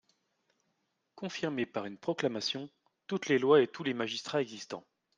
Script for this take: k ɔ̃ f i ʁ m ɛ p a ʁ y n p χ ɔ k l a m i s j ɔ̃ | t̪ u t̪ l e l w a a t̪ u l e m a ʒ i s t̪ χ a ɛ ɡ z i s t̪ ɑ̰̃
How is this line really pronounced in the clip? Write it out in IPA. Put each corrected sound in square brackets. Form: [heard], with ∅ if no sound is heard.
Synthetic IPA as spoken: k ɔ̃ f i ʁ m [e] p a ʁ y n p χ ɔ k l a m [a] s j ɔ̃ | t̪ u t̪ l e l w a [e] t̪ u l e m a ʒ i s t̪ χ a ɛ ɡ z i s t̪ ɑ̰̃